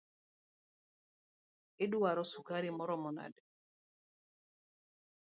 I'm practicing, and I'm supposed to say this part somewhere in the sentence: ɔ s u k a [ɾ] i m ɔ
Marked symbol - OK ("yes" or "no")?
yes